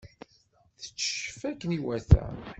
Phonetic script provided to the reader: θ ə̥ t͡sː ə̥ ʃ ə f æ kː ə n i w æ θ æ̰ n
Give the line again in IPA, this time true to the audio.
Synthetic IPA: θ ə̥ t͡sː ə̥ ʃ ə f æ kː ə n i w æ θ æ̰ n